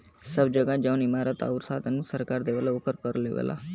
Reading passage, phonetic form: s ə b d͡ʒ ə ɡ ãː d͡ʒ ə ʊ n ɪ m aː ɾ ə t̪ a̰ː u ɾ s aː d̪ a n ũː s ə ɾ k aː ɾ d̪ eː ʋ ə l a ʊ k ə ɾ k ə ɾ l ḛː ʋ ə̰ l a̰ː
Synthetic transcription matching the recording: s ə b d͡ʒ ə ɡ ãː d͡ʒ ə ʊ n ɪ m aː ɾ ə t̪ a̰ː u ɾ s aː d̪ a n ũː s ə ɾ k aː ɾ d̪ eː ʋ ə l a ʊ k ə ɾ k ə ɾ l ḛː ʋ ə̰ l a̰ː